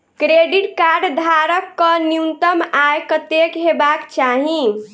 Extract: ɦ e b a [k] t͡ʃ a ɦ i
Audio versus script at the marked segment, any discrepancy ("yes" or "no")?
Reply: no